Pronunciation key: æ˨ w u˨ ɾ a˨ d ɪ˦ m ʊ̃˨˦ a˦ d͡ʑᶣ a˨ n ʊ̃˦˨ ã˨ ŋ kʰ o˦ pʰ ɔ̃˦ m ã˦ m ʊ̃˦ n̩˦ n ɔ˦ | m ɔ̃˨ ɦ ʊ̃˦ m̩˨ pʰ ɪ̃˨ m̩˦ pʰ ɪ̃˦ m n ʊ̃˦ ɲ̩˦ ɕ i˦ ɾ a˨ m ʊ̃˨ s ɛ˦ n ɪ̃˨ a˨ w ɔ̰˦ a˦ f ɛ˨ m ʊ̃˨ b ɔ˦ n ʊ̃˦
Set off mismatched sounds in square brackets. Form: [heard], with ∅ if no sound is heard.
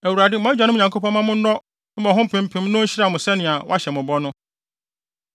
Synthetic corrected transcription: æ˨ w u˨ ɾ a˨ d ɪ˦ m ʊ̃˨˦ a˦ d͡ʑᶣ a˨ n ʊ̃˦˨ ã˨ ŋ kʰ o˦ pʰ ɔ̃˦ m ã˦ m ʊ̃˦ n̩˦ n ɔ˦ | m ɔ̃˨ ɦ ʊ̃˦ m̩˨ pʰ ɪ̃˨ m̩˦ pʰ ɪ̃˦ m n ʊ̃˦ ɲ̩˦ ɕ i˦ ɾ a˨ m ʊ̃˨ s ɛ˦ n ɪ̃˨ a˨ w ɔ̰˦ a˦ [ɕ] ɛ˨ m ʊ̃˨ b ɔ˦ n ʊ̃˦